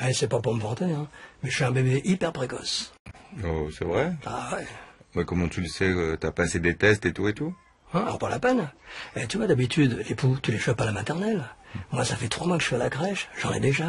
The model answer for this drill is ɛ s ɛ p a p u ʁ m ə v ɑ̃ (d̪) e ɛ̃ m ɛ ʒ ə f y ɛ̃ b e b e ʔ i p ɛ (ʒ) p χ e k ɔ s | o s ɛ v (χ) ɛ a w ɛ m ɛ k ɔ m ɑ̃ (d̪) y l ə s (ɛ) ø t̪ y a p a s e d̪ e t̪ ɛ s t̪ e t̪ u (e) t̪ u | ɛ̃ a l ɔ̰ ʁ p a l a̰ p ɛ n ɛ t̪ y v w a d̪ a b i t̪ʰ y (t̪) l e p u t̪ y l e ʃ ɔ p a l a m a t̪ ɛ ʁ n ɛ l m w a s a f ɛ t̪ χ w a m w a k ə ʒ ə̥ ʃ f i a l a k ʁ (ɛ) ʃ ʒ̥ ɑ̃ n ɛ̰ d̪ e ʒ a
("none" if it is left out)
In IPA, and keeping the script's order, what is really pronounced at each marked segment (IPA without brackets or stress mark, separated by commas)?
t̪, ʁ, ʁ, t̪, ɛ, e, d̪, ɛ